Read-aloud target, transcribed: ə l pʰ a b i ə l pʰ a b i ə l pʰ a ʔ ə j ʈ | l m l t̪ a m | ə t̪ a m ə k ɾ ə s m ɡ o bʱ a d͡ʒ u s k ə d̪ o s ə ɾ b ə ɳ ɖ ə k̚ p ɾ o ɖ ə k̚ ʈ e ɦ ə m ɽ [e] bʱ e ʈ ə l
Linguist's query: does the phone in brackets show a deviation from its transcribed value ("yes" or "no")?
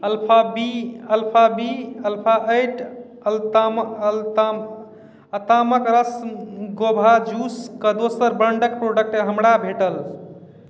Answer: yes